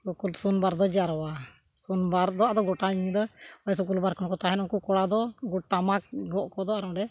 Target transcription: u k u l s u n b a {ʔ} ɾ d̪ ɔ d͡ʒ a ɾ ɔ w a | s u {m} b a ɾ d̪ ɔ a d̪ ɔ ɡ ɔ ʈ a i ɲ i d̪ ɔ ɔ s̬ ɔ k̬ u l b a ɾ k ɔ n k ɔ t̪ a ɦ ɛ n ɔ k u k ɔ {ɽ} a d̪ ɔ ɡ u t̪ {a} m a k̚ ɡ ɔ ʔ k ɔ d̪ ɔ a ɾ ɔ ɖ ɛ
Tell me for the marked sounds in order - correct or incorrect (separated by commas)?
incorrect, incorrect, correct, correct